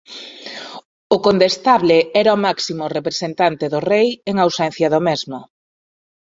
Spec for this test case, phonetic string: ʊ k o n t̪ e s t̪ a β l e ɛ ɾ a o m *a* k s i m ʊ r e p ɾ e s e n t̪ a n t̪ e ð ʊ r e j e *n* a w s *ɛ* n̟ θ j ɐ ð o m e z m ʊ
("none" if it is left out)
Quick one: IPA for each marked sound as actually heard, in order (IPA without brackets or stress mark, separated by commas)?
a, ŋ, ɛ